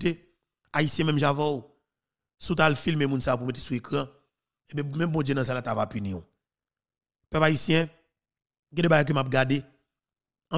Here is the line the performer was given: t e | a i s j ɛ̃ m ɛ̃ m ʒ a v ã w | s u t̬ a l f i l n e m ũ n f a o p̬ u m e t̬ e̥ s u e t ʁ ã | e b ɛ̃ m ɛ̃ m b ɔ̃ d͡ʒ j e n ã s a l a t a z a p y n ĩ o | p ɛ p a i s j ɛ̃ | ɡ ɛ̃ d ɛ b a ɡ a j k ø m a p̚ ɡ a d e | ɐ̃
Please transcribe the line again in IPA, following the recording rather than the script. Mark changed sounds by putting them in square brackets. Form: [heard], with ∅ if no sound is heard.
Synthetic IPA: t e | a i s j ɛ̃ m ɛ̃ m ʒ a v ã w | s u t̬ a l f i l [m] e m ũ n [s] a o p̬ u m e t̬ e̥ s u e [k] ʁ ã | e b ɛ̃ m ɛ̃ m b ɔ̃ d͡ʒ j e n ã s a l a t a [v] a p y n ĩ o | p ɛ p a i s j ɛ̃ | ɡ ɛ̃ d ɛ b a ɡ a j k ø m a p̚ ɡ a d e | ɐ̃